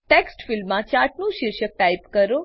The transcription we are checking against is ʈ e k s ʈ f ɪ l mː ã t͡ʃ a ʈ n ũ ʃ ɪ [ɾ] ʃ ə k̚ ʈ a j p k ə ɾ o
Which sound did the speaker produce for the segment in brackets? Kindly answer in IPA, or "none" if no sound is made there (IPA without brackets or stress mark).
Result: ɾ